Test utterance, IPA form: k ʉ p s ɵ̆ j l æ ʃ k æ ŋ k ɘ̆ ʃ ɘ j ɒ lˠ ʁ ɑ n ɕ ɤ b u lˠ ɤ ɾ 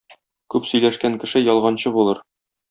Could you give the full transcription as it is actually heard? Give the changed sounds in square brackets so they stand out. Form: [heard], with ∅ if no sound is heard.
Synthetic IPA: k ʉ p s ɵ̆ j l æ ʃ k æ ŋ k ɘ̆ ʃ ɘ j ɒ lˠ ʁ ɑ n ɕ ɤ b u lˠ ɤ ɾ